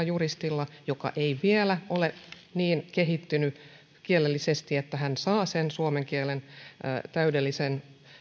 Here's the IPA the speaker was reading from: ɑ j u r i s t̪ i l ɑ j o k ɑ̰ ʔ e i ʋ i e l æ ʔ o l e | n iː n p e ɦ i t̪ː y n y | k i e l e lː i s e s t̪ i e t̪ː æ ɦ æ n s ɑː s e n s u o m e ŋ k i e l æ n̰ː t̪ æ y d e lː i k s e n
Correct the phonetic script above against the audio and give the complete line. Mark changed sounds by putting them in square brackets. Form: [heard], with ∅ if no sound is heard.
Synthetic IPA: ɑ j u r i s t̪ i [lː] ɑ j o k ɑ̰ ʔ e i ʋ i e l æ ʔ o l e | n iː n [k] e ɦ i t̪ː y n y | k i e l e lː i s e s t̪ i e t̪ː æ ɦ æ n s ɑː s e n s u o m e ŋ k i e l [e] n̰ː t̪ æ y d e lː i [∅] s e n